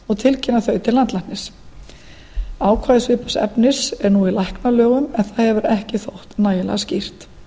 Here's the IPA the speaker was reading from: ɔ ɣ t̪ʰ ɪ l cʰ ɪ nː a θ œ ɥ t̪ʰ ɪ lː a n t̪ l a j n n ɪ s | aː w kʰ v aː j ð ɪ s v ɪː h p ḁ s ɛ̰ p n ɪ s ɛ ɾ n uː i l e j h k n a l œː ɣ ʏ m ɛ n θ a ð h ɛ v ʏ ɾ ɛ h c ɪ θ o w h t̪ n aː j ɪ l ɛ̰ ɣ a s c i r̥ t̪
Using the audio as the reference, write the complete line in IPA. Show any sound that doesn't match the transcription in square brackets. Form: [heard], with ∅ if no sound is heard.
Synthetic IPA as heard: ɔ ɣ t̪ʰ ɪ l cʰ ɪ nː a θ œ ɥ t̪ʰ ɪ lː a n t̪ l a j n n ɪ s | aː w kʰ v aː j ð ɪ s v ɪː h p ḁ s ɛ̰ p n ɪ s ɛ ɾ n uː i l [a] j h k n a l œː ɣ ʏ m ɛ n θ a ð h ɛ v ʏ ɾ ɛ h c ɪ θ o w h t̪ n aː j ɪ l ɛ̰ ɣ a s c i r̥ t̪